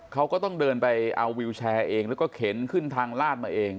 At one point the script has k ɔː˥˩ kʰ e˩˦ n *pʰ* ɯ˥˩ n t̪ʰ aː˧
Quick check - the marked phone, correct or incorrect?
incorrect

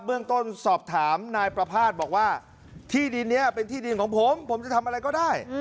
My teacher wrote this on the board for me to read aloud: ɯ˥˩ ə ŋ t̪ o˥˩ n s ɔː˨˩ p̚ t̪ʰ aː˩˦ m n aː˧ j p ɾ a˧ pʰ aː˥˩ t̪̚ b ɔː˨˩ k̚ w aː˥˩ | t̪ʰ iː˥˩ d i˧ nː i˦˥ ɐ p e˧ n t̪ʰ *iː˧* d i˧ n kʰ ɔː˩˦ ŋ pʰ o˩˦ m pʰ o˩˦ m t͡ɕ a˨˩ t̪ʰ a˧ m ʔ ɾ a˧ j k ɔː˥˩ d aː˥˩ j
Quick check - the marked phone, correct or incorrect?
incorrect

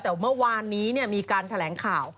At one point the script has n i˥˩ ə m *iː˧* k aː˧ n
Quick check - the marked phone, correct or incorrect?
correct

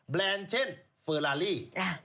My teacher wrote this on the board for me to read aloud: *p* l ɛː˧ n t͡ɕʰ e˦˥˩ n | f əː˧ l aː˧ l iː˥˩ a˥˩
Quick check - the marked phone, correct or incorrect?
incorrect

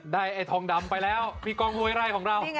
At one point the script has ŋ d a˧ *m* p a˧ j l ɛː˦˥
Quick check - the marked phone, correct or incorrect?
correct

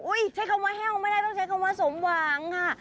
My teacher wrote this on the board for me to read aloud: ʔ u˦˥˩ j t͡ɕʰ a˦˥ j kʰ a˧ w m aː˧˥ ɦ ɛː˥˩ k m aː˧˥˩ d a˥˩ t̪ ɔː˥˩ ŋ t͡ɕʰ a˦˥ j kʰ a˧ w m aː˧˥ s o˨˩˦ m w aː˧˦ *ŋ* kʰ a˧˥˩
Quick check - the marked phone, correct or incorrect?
correct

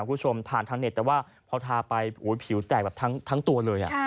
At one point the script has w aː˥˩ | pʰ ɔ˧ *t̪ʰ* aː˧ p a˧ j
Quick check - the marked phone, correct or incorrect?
correct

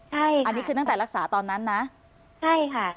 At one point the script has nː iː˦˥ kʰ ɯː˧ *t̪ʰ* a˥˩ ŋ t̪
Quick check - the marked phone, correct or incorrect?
incorrect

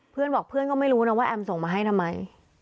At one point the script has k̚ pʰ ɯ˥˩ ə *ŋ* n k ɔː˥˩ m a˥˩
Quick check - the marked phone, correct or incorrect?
incorrect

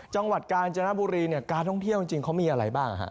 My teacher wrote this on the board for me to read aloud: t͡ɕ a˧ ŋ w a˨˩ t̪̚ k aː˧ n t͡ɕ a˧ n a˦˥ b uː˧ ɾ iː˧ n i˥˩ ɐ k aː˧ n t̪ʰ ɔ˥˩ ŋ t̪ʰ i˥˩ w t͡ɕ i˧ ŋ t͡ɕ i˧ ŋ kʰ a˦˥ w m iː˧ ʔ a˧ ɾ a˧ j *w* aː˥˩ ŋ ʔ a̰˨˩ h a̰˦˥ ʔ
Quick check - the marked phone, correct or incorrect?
incorrect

